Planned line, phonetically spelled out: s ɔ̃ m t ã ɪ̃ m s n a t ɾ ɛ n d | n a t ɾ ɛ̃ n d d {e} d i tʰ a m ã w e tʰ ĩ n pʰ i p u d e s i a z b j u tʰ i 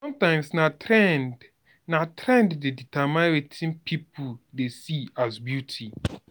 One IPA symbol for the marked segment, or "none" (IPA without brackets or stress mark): e